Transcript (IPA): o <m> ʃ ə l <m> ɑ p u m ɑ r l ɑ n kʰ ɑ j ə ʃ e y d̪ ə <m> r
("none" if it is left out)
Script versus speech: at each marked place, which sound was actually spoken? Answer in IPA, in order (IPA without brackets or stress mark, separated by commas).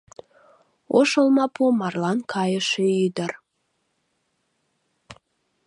none, m, none